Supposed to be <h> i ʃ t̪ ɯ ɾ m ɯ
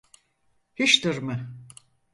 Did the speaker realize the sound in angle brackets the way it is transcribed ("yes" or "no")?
yes